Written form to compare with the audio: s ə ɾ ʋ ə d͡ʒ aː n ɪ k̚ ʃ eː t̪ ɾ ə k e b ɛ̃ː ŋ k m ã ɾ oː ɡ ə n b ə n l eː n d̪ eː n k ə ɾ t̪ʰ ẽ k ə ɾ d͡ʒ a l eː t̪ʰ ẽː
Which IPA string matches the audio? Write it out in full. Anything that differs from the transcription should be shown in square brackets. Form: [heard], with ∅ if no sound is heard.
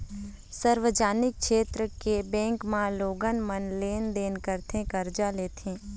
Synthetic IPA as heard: s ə ɾ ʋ ə d͡ʒ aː n ɪ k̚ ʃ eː t̪ ɾ ə k e b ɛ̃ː ŋ k m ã [l] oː ɡ ə n [m] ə n l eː n d̪ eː n k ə ɾ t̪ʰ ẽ k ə ɾ d͡ʒ a l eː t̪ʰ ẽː